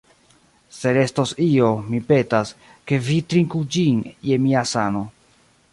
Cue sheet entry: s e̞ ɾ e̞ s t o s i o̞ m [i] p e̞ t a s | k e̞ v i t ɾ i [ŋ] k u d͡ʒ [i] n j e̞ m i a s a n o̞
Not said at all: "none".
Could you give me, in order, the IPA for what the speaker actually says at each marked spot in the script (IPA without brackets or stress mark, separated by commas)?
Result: i, ŋ, i